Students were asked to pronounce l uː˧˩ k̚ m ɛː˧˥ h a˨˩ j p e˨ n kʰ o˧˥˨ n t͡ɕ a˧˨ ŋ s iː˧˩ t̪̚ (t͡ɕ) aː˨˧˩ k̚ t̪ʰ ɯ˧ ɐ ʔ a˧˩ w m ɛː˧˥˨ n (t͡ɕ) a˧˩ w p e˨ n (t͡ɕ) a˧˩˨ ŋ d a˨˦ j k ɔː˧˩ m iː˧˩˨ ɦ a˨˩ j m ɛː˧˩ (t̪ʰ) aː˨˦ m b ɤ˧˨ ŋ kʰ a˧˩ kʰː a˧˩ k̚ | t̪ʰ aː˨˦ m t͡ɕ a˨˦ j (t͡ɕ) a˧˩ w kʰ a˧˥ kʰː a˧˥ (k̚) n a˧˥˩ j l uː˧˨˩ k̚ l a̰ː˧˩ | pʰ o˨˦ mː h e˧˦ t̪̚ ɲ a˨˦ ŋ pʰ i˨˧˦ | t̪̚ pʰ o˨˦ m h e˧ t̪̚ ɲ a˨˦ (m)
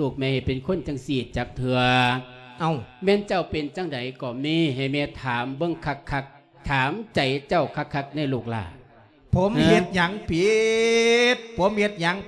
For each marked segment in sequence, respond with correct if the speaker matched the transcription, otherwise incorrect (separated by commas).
correct, correct, correct, correct, correct, correct, incorrect